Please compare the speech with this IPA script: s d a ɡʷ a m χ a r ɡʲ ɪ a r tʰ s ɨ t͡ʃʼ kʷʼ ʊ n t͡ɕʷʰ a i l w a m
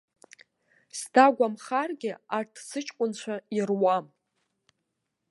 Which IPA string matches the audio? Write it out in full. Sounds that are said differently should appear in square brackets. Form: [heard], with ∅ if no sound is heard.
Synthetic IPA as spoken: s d a ɡʷ a m χ a r ɡʲ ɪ a r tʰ s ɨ t͡ʃʼ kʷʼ ʊ n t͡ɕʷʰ a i [r] w a m